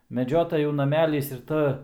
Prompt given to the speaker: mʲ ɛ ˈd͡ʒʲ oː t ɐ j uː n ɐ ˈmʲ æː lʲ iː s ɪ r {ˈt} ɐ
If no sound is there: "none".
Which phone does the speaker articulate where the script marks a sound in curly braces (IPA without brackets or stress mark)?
t